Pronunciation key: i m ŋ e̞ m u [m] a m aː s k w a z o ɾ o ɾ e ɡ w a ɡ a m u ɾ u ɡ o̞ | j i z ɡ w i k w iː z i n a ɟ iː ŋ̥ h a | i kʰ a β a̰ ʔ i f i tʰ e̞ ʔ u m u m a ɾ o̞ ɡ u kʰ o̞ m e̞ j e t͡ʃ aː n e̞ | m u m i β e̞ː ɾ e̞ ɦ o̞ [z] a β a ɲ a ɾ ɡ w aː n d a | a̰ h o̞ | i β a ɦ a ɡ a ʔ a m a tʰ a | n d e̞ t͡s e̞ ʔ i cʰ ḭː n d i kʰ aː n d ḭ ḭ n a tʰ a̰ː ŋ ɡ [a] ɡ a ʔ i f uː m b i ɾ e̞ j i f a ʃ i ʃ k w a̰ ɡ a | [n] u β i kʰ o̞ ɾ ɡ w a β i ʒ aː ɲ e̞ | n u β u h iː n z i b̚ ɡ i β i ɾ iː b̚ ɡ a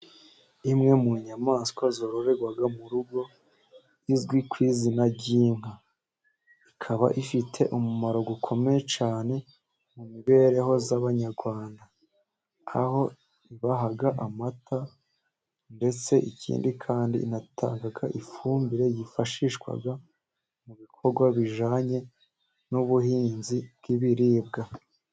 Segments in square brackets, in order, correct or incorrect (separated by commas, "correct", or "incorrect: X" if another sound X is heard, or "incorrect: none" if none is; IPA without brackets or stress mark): incorrect: ɲ, correct, correct, incorrect: m